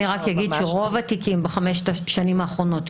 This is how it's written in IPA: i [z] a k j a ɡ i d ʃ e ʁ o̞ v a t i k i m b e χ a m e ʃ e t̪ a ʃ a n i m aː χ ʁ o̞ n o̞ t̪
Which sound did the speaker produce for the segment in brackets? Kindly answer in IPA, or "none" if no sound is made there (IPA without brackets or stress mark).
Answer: ʁ